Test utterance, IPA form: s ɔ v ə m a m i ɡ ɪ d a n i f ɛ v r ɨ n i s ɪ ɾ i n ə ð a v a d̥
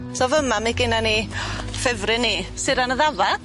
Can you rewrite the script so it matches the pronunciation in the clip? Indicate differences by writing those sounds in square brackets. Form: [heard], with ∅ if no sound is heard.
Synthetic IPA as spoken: s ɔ v ə m a m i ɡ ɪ [n] a n i f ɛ v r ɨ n i s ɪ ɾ [a] n ə ð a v a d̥